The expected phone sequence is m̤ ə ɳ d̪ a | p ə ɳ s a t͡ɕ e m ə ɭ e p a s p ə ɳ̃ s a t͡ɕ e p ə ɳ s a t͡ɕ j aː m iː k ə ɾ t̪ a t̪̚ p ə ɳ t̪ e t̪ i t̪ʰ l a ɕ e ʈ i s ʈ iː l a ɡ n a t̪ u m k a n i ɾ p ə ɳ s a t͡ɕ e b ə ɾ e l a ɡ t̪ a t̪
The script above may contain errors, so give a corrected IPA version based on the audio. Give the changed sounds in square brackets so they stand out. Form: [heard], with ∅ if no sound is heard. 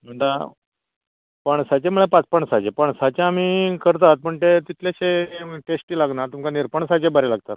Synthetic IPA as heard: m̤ ə ɳ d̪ a | p ə ɳ s a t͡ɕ e m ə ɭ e p a [t͡s] p ə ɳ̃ s a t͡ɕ e p ə ɳ s a t͡ɕ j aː m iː k ə ɾ t̪ a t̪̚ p ə ɳ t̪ e t̪ i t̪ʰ l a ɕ e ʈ [e] s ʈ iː l a ɡ n a t̪ u m k a n i ɾ p ə ɳ s a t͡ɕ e b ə ɾ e l a ɡ t̪ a t̪